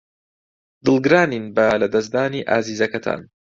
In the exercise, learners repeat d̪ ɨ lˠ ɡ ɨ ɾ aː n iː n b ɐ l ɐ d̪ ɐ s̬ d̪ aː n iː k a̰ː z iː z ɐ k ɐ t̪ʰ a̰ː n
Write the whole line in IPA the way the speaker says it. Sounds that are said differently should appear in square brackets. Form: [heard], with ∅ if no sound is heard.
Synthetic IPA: d̪ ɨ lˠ ɡ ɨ ɾ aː n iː n b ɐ l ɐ d̪ ɐ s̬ d̪ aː n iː [ʔ] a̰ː z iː z ɐ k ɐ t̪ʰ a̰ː n